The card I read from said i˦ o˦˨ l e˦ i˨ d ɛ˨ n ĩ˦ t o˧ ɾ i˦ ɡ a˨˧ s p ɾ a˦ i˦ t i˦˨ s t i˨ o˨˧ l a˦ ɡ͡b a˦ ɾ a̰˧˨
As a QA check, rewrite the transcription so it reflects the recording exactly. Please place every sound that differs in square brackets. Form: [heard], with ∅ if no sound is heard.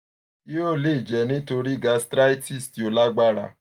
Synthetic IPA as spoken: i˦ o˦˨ l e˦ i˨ [d͡ʒ] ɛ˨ n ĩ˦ t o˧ ɾ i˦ ɡ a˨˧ s [t] ɾ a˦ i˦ t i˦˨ s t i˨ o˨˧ l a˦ ɡ͡b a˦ ɾ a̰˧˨

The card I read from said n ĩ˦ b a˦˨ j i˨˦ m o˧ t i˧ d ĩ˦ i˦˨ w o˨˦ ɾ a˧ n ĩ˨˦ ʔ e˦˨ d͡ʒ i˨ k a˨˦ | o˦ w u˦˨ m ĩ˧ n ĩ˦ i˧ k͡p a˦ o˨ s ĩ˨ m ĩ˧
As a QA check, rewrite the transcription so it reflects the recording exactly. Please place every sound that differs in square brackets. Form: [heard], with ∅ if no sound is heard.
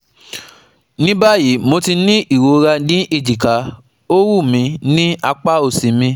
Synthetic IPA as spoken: n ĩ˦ b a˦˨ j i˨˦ m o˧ t i˧ [n] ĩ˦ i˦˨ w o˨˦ ɾ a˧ n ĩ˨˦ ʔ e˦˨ d͡ʒ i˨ k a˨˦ | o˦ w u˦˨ m ĩ˧ n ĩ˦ [a˧] k͡p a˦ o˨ s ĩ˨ m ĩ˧

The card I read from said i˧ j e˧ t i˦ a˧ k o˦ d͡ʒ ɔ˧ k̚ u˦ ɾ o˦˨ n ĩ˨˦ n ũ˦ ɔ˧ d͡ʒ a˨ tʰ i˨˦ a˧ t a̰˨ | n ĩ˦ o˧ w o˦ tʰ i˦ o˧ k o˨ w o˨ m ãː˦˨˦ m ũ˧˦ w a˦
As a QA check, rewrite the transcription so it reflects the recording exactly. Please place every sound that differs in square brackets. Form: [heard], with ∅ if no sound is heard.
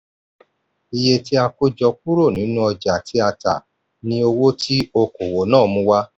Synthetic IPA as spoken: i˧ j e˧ t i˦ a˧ k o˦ d͡ʒ ɔ˧ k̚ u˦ ɾ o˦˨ n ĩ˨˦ n ũ˦ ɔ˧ d͡ʒ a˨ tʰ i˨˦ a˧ t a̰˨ | n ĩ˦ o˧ w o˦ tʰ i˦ o˧ k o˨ w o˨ [n] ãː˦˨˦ m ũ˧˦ w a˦

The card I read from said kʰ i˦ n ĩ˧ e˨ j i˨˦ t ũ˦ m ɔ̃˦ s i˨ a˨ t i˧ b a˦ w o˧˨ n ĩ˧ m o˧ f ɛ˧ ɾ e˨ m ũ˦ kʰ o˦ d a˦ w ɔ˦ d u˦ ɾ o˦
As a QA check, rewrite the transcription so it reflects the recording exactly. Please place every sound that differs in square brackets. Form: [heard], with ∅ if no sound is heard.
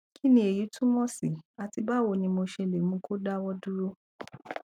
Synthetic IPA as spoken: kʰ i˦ n ĩ˧ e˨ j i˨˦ t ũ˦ m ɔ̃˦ s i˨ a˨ t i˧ b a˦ w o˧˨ n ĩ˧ m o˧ [ʃ] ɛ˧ [l] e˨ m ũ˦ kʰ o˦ d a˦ w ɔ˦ d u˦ ɾ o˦

